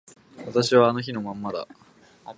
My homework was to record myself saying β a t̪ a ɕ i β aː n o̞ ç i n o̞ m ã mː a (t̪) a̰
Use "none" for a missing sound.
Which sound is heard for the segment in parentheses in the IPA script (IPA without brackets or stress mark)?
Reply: d̪